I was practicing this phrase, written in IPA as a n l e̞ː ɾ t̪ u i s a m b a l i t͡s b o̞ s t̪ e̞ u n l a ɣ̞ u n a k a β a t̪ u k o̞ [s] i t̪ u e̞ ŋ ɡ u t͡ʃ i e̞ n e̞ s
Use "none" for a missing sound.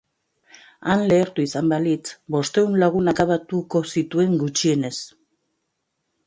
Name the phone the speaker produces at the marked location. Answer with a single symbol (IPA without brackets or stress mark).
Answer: s